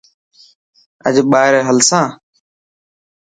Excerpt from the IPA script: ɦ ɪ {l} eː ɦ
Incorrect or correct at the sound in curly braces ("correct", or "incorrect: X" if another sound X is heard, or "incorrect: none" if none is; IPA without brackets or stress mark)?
incorrect: ɾ